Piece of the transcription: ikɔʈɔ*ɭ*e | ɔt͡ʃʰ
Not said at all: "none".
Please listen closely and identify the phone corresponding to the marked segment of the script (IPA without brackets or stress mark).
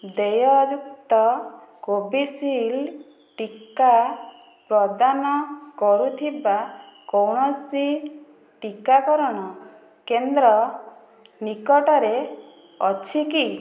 ɾ